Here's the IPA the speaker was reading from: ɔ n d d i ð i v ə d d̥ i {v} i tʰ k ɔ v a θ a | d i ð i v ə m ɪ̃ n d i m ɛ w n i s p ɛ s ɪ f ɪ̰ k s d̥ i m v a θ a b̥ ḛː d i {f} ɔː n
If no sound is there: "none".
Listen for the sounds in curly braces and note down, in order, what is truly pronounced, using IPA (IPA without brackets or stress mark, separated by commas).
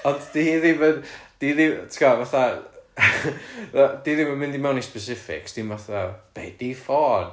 ð, f